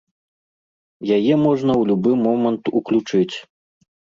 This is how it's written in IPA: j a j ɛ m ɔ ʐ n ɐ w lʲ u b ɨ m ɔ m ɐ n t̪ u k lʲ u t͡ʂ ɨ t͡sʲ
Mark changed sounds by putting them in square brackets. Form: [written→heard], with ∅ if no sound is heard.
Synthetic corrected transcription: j a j ɛ m ɔ ʐ n ɐ w lʲ u b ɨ m ɔ m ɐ n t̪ u k lʲ u t͡ʂ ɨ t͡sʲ